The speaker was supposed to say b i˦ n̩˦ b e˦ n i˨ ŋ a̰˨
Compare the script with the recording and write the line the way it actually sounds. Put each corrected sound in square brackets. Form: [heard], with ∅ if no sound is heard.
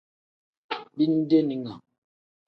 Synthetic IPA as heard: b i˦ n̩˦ [d] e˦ n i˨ ŋ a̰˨